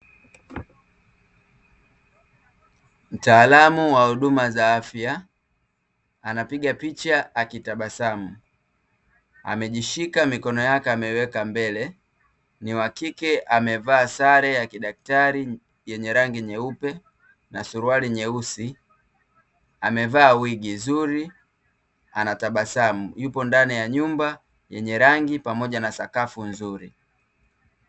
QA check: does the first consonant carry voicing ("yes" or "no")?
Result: yes